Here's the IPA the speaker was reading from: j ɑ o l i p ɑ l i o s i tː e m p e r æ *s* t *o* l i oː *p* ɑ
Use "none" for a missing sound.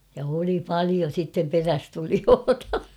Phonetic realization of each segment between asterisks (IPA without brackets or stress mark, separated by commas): s, u, t